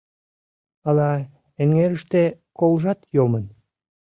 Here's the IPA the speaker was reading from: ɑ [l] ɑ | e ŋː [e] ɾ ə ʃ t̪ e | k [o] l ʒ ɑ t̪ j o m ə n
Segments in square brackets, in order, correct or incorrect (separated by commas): correct, correct, correct